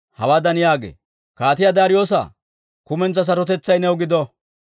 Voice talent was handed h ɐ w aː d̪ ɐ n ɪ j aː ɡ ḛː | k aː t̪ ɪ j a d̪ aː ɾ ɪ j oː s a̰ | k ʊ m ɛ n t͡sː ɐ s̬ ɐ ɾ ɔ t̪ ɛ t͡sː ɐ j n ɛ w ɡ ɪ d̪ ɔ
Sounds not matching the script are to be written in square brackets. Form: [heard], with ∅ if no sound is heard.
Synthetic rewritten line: h ɐ w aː d̪ ɐ n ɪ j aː ɡ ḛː | k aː t̪ ɪ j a d̪ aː ɾ ɪ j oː s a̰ | k ʊ m ɛ n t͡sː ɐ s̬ ɐ ɾ ɔ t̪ ɛ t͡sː ɐ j n ɛ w ɡ ɪ d̪ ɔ